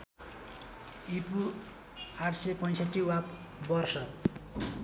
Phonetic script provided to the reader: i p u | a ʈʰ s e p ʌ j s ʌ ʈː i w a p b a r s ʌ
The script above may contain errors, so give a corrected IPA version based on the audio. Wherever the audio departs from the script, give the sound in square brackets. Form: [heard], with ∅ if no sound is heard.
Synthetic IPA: i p u | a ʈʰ s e p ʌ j s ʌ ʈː i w a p b [ʌ] r s ʌ